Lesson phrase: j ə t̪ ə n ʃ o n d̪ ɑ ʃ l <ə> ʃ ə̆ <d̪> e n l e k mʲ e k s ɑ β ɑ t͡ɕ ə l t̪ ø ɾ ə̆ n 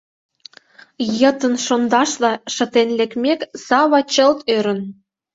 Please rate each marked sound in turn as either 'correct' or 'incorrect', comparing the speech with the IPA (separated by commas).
incorrect, incorrect